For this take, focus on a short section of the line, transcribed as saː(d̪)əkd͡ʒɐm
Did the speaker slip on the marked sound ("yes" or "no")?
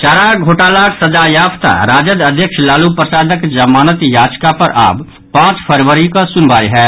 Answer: no